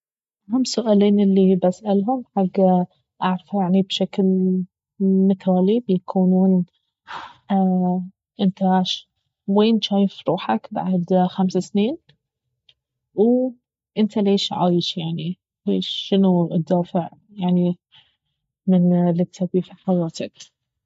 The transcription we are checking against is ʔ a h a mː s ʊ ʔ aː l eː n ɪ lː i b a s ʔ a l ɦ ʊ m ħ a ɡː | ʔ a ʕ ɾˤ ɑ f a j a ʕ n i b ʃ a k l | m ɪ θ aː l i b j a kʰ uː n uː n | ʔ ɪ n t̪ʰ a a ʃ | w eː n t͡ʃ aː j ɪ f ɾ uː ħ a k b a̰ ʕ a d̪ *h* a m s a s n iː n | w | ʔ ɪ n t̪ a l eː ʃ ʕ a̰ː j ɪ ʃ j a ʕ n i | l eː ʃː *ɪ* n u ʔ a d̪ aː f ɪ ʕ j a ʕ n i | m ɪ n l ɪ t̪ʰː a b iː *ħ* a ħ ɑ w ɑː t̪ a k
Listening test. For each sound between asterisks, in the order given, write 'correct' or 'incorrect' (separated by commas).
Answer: incorrect, correct, incorrect